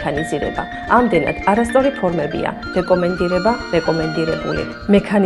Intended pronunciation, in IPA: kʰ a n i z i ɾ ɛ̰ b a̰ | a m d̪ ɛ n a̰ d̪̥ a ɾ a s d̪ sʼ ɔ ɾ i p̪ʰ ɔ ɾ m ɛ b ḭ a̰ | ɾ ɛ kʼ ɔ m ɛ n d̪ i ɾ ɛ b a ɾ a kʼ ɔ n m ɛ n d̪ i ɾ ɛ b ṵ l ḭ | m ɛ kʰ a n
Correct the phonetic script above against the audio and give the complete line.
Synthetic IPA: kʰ a n i z i ɾ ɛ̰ b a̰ | a m d̪ ɛ n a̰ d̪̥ a ɾ a s t̪ sʼ ɔ ɾ i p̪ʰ ɔ ɾ m ɛ b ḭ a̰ | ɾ ɛ kʼ ɔ m ɛ n d̪ i ɾ ɛ b a ɾ ɛ kʼ ɔ m ɛ n d̪ i ɾ ɛ b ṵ l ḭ | m ɛ kʰ a n